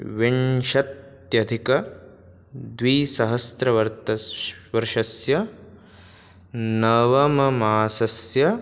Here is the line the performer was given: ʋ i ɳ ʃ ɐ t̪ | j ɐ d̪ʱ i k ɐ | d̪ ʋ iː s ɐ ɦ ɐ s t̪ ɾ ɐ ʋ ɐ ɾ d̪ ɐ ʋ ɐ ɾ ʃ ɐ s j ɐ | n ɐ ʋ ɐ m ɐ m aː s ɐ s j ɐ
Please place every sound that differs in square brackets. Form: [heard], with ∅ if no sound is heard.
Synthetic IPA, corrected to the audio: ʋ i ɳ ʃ ɐ t̪ | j ɐ d̪ʱ i k ɐ | d̪ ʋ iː s ɐ ɦ ɐ s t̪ ɾ ɐ ʋ ɐ ɾ [t̪] ɐ ʋ ɐ ɾ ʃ ɐ s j ɐ | n ɐ ʋ ɐ m ɐ m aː s ɐ s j ɐ